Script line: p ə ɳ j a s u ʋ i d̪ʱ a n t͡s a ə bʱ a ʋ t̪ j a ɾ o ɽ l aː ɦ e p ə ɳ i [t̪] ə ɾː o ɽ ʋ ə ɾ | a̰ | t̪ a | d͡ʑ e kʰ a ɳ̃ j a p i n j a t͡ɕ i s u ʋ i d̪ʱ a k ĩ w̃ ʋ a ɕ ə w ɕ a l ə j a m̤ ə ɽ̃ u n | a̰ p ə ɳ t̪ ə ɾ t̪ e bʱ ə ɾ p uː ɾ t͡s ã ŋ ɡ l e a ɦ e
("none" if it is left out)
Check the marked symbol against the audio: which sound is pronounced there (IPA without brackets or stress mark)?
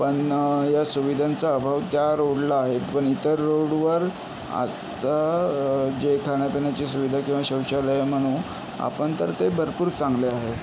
t̪